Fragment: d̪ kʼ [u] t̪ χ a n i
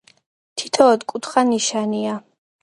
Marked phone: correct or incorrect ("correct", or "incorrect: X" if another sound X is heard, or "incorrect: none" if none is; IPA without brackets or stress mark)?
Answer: correct